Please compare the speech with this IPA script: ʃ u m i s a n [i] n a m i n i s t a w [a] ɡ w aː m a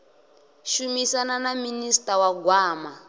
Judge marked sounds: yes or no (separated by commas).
no, yes